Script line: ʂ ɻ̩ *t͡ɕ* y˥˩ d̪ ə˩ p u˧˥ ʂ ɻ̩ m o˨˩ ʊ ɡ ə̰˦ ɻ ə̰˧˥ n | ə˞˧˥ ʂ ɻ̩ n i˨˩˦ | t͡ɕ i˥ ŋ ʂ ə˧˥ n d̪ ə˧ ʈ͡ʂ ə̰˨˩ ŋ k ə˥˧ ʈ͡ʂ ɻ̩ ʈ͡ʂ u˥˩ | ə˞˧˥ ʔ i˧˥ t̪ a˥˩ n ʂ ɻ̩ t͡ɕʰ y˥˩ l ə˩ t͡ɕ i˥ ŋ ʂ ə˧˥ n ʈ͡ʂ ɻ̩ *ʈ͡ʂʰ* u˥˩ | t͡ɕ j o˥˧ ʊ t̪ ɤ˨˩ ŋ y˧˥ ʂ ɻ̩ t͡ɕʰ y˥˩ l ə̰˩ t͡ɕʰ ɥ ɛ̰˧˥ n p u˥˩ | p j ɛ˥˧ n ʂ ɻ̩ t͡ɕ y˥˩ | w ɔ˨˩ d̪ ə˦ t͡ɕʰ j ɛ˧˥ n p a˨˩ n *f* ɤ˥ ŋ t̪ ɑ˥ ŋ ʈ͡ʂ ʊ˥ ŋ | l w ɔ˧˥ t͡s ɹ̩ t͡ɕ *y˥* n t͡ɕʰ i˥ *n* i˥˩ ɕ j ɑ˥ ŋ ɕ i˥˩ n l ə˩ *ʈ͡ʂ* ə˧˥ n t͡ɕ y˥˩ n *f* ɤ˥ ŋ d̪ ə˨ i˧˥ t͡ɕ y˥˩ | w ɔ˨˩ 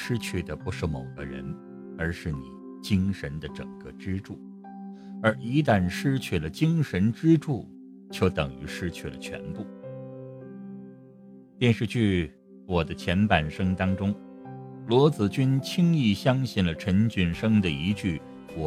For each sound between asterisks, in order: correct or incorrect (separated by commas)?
incorrect, incorrect, incorrect, correct, incorrect, incorrect, incorrect